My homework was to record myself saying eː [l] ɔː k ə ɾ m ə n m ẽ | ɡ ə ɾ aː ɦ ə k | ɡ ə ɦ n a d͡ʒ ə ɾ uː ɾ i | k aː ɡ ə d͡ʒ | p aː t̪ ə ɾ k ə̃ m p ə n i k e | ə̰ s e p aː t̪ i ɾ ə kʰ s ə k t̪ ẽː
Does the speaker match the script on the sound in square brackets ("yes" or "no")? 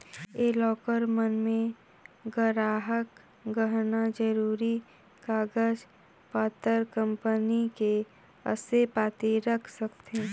yes